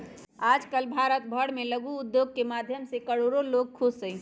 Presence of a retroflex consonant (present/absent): present